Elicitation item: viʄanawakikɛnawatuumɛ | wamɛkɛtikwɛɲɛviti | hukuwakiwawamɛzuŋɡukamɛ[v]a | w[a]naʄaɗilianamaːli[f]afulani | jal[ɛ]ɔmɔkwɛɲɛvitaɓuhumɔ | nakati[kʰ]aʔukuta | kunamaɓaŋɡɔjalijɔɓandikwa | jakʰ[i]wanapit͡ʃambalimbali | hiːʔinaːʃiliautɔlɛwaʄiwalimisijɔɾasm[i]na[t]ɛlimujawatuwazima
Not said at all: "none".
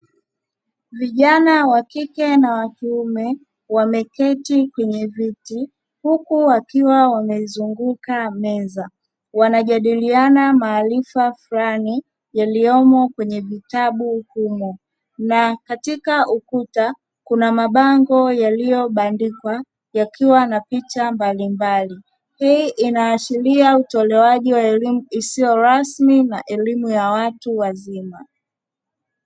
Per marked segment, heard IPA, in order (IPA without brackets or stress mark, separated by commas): z, a, f, i, k, i, i, ʔ